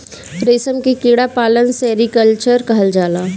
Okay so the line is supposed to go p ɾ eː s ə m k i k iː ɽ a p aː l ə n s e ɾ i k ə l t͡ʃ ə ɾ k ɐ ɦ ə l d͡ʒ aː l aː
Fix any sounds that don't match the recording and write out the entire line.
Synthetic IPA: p ɾ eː s ə m k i k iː ɽ a p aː l ə n s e ɾ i k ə l t͡ʃ ə ɾ k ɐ ɦ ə l d͡ʒ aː l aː